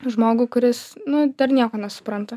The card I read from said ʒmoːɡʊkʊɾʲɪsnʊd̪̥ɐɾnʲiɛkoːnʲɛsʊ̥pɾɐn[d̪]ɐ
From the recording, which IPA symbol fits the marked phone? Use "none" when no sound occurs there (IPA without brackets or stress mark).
t̪